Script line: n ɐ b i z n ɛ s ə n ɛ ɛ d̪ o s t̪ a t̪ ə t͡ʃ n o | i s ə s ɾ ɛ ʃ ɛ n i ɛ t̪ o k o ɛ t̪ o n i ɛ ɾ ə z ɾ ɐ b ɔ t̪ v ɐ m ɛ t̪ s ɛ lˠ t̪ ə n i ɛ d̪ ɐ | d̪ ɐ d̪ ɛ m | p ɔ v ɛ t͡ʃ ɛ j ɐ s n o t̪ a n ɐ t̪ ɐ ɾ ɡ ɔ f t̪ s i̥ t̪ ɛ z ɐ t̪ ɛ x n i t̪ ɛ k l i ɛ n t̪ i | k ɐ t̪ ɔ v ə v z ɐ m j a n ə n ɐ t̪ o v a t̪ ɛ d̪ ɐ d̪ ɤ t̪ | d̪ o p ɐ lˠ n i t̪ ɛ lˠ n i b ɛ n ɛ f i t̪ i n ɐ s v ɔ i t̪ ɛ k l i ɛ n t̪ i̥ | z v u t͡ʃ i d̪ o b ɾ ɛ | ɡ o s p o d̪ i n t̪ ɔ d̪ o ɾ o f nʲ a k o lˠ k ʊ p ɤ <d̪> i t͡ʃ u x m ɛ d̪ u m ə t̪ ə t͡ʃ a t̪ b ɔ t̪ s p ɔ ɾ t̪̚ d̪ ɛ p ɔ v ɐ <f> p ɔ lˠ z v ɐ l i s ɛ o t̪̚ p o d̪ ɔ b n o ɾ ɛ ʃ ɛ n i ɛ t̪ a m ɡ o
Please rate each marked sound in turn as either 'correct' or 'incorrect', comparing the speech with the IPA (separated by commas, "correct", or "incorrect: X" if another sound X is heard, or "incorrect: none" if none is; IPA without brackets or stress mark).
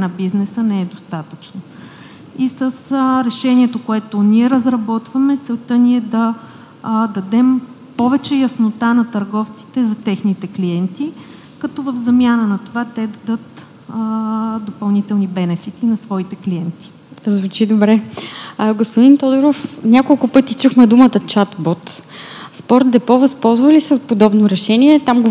incorrect: t̪, incorrect: s